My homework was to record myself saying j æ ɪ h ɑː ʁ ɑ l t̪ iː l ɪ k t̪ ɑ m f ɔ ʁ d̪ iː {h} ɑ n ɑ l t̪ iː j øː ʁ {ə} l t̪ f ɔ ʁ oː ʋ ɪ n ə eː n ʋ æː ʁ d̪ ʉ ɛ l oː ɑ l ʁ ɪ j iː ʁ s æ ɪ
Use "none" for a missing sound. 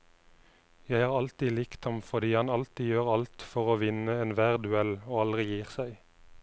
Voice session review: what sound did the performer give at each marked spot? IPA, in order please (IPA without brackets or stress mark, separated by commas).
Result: h, ɑ